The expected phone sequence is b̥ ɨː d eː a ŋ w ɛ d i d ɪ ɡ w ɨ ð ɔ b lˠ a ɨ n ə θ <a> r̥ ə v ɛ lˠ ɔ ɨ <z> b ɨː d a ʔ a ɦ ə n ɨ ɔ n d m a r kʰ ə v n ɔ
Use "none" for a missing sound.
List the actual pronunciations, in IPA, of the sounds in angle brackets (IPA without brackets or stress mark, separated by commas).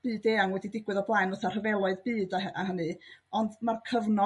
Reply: a, ð